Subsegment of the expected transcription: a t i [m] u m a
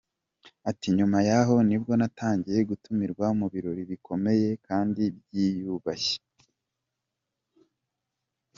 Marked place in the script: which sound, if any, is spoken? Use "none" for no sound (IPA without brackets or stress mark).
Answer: ɲ